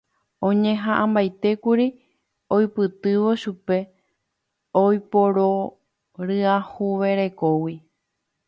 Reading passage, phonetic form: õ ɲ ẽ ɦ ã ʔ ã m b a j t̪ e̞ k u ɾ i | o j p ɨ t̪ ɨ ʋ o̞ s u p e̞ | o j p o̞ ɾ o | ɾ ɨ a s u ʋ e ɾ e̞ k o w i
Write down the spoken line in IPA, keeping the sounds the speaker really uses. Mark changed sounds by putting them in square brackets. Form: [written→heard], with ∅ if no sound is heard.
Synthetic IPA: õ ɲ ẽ ɦ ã ʔ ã m b a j t̪ e̞ k u ɾ i | o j p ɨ t̪ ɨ ʋ o̞ [s→ʃ] u p e̞ | o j p o̞ ɾ o | ɾ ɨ a [s→h] u ʋ e ɾ e̞ k o w i